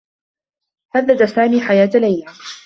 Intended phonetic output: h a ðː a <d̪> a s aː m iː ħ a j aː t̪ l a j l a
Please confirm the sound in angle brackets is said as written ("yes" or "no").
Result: yes